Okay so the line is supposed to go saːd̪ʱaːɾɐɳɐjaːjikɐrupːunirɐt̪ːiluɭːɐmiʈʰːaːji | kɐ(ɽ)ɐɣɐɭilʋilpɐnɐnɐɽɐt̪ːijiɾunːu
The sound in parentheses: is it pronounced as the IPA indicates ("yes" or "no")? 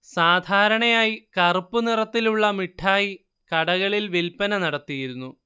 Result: yes